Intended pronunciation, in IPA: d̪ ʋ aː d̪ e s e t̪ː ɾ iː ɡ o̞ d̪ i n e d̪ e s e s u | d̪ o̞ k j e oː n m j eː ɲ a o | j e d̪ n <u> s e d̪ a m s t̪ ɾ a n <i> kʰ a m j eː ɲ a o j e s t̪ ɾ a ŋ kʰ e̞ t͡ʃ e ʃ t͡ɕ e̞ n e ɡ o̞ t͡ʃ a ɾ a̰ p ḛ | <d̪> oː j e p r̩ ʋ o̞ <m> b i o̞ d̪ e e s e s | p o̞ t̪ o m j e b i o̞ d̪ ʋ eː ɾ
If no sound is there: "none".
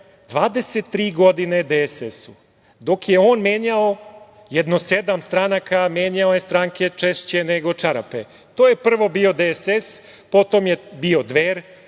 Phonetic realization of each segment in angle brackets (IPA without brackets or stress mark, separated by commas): o, a, t̪, none